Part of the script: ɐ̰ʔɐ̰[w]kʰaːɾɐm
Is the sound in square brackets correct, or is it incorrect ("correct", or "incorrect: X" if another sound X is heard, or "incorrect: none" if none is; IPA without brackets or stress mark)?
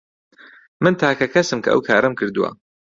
correct